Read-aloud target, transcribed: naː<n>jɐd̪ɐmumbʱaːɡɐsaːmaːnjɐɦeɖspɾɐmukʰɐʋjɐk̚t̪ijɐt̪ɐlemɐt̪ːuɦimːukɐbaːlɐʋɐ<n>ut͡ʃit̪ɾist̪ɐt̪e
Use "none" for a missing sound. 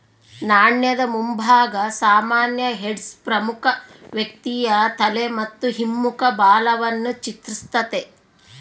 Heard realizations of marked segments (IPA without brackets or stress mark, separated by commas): ɳ, nː